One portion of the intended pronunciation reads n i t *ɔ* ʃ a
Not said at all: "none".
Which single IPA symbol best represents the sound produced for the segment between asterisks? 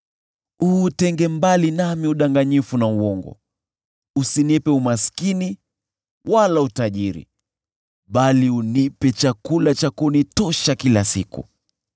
ɔ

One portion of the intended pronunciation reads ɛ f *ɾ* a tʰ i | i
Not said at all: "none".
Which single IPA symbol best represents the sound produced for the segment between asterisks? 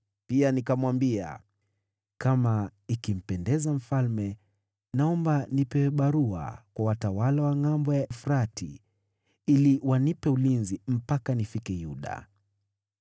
ɾ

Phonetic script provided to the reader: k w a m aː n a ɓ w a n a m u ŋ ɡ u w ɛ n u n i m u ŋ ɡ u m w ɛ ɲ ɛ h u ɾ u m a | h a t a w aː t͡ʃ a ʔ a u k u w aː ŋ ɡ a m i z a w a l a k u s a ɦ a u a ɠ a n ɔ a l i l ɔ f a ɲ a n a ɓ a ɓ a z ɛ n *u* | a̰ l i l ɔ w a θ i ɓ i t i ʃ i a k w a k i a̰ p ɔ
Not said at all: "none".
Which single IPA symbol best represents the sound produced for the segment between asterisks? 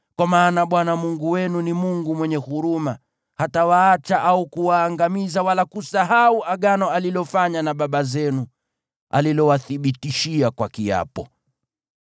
u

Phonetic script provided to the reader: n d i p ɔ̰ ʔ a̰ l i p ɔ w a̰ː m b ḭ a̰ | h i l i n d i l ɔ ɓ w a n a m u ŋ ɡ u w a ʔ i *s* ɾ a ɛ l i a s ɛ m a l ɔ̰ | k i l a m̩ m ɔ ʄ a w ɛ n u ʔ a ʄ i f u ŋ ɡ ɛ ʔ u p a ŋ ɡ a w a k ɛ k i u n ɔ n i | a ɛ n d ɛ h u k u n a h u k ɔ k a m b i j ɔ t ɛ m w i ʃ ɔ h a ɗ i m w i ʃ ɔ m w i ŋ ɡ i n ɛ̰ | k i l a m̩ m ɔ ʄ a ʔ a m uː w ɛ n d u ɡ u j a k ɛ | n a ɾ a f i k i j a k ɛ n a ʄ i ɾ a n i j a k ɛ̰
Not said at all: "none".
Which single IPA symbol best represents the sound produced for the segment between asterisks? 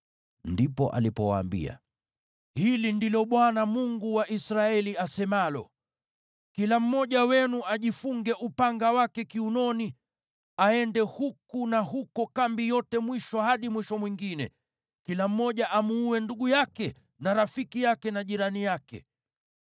s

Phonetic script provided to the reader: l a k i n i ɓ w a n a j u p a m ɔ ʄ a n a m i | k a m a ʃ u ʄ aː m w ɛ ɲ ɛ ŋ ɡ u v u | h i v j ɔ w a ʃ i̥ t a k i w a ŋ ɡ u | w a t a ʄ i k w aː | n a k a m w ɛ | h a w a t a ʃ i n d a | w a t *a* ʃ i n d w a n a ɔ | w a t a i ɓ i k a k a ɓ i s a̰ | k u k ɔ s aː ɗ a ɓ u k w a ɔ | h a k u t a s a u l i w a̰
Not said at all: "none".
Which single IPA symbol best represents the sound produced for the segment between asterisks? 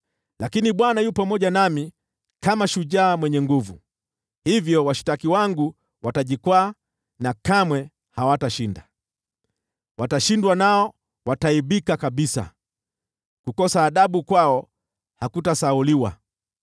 a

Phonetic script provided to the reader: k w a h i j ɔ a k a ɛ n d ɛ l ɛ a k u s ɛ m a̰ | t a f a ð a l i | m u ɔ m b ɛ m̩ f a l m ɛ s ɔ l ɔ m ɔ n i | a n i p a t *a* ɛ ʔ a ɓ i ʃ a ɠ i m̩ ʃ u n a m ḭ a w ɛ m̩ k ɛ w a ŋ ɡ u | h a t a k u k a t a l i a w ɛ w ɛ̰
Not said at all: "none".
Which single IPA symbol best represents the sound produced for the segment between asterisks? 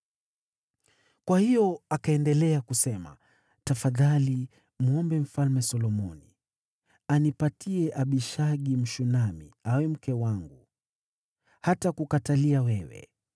i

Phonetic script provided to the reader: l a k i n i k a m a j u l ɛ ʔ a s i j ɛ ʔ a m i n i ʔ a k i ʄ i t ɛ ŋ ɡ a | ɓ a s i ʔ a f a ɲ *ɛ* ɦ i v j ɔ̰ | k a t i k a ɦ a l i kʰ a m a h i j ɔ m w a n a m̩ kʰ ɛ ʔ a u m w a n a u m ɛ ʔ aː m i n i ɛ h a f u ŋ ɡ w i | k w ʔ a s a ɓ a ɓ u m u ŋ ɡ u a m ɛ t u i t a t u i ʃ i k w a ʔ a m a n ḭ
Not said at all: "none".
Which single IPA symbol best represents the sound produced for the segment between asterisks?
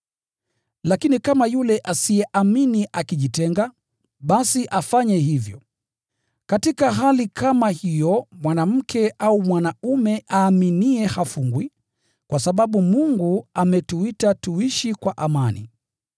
ɛ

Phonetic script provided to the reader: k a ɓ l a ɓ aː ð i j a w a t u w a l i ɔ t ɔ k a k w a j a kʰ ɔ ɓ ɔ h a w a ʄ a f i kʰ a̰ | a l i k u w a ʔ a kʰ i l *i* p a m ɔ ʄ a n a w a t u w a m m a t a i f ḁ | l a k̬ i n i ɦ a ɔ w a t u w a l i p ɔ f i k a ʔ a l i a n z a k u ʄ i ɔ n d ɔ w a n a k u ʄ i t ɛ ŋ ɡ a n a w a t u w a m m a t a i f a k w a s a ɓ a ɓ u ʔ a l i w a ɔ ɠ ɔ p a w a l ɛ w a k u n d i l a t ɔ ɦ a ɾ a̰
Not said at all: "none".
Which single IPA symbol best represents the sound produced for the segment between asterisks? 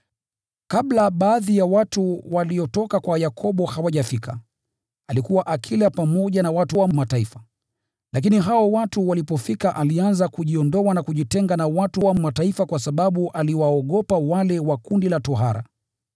a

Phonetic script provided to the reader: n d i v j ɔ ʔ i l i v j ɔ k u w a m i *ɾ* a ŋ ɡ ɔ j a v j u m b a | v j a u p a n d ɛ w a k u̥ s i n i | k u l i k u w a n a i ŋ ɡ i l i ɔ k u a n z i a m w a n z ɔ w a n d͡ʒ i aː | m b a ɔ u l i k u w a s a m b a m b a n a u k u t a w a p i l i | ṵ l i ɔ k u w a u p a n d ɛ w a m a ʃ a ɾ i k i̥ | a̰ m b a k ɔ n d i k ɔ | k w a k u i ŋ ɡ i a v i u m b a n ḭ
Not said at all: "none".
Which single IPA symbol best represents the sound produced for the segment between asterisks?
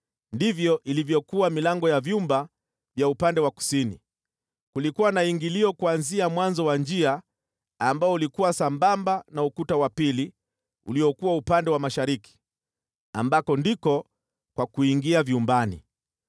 l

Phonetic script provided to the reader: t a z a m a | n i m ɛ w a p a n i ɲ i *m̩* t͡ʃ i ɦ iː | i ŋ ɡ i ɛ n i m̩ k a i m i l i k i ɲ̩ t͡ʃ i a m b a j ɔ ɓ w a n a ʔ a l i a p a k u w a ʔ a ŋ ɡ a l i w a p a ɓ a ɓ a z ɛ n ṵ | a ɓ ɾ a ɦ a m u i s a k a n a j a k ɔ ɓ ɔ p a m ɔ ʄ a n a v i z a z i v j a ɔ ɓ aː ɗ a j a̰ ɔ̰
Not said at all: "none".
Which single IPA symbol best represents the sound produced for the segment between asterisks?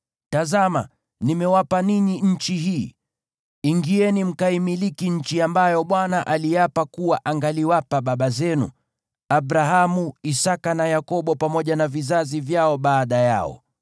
ɲ̩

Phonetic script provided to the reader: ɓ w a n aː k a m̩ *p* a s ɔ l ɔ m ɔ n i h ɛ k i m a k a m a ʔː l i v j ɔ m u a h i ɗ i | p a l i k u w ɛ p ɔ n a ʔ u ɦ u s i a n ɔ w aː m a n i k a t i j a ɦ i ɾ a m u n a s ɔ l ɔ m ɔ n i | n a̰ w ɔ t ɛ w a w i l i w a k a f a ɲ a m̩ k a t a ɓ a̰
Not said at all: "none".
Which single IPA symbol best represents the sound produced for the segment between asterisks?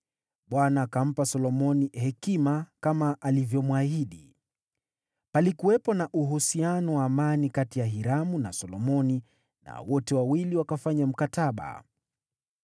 p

